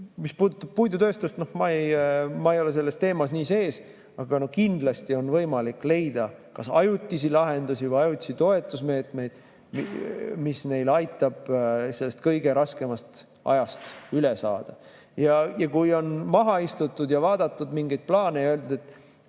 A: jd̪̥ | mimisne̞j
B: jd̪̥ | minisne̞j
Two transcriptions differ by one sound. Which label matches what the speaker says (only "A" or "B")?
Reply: A